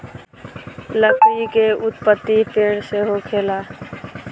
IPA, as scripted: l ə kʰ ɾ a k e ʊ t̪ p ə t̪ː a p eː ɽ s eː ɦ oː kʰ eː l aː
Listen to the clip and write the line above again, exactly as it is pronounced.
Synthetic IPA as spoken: l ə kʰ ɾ i k e ʊ t̪ p ə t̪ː i p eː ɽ s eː ɦ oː kʰ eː l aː